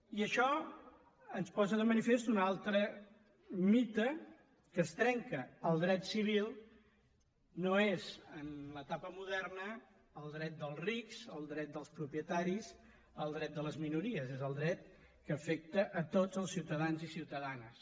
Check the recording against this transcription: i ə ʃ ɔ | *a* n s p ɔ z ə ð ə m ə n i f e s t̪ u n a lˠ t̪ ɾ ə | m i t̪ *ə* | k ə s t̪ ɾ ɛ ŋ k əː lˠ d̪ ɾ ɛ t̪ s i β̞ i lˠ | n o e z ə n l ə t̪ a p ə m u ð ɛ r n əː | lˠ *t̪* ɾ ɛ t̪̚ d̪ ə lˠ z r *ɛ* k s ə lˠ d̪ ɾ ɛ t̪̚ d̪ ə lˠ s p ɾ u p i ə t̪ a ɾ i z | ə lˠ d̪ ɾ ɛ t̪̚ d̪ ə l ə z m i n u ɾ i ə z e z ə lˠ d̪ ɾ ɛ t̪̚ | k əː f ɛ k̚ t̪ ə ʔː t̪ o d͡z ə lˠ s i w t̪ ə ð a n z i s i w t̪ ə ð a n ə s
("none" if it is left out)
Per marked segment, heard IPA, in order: ə, ə, d̪, i

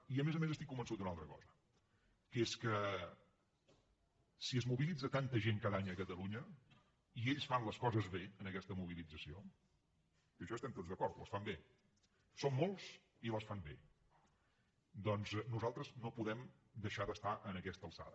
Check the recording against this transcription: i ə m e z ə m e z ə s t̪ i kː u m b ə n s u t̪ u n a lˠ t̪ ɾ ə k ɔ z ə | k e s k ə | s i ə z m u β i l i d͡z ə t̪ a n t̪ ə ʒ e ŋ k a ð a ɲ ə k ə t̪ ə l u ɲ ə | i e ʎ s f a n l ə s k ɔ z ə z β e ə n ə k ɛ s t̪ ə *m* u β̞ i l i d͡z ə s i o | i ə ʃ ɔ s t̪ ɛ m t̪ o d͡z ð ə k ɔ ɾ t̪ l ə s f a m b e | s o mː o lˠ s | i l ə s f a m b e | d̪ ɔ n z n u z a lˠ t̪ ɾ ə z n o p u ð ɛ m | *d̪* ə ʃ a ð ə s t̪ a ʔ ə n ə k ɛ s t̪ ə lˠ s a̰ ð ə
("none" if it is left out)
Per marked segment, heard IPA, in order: m, d̪

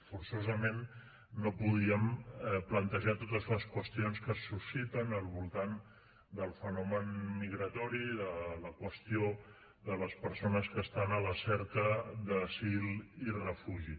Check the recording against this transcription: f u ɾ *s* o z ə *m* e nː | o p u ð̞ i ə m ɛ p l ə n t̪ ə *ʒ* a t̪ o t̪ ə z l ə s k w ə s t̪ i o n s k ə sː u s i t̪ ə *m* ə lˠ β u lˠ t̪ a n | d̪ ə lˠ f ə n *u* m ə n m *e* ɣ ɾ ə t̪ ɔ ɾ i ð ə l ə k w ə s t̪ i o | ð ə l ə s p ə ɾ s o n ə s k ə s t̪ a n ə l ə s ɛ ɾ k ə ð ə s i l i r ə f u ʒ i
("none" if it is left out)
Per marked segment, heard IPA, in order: s, m, ʒ, n, ɔ, i

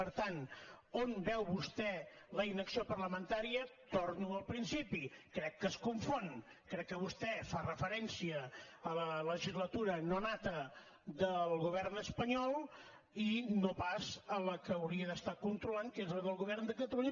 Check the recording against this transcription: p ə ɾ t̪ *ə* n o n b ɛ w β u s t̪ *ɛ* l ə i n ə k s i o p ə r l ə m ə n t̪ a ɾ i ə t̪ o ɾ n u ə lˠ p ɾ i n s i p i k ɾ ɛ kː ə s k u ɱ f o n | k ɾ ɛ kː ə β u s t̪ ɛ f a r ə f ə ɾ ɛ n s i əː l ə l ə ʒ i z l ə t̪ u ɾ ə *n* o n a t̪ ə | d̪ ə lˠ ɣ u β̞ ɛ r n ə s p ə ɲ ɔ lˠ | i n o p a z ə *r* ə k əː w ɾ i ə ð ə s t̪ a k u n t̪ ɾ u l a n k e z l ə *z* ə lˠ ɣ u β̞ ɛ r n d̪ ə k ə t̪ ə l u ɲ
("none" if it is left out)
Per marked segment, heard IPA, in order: a, ɛ, n, l, ð

